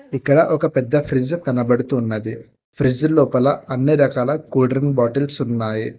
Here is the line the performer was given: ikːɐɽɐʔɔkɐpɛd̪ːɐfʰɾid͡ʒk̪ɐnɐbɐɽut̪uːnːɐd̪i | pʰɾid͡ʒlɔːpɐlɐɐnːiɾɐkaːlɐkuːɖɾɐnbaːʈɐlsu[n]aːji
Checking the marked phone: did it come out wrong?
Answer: yes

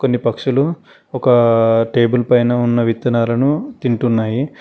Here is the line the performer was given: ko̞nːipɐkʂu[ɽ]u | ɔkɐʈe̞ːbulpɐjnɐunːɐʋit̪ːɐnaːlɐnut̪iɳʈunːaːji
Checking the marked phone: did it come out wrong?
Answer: yes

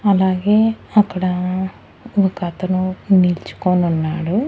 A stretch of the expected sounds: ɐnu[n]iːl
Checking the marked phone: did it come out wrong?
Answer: no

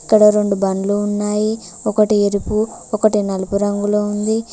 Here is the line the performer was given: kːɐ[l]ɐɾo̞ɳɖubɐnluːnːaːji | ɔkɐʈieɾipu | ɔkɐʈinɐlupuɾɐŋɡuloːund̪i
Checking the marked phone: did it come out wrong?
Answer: yes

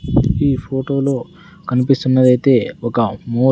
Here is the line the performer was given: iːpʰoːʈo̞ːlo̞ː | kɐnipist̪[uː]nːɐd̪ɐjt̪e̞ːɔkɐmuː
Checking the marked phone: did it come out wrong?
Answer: yes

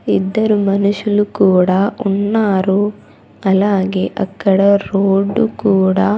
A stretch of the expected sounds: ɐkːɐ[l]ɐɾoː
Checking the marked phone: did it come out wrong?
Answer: yes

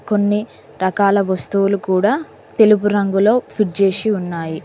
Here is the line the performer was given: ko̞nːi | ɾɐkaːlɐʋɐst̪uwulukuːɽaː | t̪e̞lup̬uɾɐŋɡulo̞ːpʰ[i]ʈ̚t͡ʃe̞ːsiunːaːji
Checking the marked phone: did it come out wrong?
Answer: no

